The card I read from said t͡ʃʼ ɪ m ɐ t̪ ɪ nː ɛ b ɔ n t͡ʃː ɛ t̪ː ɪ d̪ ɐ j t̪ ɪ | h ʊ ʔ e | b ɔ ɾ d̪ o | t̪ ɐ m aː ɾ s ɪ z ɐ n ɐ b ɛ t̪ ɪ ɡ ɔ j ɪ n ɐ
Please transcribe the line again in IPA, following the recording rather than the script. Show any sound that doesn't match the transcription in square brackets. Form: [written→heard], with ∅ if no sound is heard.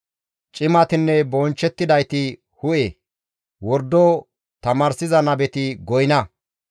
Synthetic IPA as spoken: t͡ʃʼ ɪ m ɐ t̪ ɪ nː ɛ b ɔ n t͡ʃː ɛ t̪ː ɪ d̪ ɐ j t̪ ɪ | h ʊ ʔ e | [b→w] ɔ ɾ d̪ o | t̪ ɐ m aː ɾ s ɪ z ɐ n ɐ b ɛ t̪ ɪ ɡ ɔ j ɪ n ɐ